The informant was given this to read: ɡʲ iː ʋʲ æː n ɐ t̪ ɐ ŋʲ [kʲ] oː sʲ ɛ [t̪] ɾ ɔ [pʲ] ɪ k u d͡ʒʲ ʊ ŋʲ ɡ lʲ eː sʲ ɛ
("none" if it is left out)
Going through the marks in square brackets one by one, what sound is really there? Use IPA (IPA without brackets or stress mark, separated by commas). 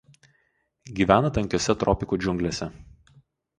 kʲ, t̪, pʲ